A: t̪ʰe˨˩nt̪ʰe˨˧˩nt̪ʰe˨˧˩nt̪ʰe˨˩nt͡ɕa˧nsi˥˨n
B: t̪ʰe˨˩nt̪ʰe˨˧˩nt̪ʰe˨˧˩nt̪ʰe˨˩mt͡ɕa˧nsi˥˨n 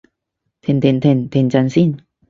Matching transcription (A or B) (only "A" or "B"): A